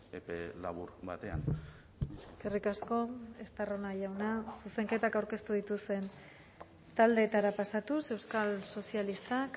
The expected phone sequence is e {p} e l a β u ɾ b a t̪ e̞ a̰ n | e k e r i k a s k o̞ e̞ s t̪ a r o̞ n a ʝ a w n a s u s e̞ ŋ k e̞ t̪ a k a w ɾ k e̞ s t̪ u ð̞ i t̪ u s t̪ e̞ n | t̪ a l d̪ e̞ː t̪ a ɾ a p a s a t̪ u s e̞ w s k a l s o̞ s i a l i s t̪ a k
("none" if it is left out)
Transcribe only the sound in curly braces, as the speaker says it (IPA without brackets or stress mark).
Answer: p